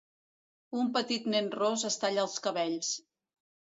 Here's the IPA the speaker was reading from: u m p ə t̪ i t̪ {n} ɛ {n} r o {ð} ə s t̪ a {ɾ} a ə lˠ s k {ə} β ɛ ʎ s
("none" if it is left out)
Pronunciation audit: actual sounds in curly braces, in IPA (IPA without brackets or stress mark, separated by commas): n, n, z, ʎ, ə